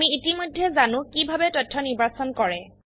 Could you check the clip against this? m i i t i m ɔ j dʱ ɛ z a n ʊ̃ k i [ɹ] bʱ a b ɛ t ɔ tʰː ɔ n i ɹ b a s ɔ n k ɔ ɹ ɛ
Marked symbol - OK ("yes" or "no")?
no